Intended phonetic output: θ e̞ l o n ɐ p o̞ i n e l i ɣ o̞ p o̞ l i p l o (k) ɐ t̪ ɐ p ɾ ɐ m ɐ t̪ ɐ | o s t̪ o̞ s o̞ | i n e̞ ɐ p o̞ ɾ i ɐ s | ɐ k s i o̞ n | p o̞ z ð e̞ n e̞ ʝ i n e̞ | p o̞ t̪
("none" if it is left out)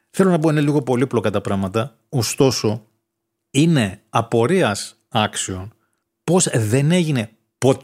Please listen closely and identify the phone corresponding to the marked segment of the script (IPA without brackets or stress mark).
k